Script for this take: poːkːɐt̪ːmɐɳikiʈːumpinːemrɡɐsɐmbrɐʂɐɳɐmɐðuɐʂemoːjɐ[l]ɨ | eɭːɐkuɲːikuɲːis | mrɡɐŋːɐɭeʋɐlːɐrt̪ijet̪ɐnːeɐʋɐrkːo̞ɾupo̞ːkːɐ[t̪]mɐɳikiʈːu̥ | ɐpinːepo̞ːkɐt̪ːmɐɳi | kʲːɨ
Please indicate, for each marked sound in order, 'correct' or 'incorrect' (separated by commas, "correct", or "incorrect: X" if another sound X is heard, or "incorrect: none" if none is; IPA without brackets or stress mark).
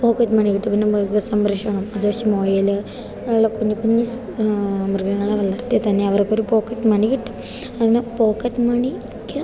correct, correct